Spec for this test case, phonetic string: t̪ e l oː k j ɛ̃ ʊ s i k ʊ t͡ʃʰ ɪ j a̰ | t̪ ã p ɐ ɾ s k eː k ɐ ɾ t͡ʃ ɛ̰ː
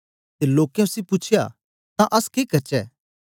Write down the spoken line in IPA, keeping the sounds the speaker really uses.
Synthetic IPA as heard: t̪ e l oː k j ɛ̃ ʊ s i p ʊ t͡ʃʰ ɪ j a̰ | t̪ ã ʔ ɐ s k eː k ɐ ɾ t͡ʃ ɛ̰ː